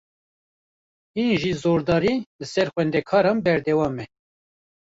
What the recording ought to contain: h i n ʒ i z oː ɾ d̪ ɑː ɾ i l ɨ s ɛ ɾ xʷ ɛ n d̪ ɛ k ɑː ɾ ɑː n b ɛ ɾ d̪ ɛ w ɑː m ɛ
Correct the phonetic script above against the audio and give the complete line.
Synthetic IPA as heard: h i n ʒ i z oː ɾ d̪ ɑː ɾ i l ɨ s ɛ ɾ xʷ ɛ n d̪ ɛ kʰ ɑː ɾ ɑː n b ɛ ɾ d̪ ɛ w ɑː m ɛ